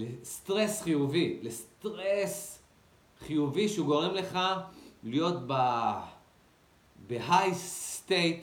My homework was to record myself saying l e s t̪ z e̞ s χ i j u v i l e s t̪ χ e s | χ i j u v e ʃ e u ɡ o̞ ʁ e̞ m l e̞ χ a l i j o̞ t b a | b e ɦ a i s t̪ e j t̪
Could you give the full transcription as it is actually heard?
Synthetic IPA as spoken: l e s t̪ ʁ e̞ s χ i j u v i l e s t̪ ʁ e s | χ i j u v i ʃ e u ɡ o̞ ʁ e̞ m l e̞ χ a l i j o̞ t b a | b e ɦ a j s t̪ e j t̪